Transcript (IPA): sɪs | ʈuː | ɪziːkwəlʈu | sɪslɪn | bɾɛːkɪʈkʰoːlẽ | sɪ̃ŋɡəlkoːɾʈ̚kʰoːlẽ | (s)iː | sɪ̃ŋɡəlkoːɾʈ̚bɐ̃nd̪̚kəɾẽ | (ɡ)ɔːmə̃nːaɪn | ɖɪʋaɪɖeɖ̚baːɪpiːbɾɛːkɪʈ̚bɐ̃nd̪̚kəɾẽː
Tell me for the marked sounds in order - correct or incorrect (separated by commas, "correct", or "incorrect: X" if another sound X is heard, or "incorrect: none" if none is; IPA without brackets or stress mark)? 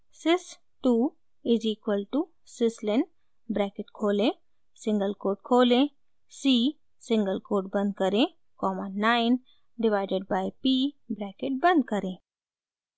correct, incorrect: k